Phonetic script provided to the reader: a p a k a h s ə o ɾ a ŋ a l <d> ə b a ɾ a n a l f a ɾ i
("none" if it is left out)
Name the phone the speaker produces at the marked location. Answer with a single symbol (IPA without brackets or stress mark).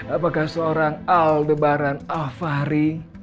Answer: d